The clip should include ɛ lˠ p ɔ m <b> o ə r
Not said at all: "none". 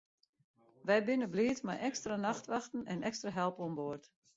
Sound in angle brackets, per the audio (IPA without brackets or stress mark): b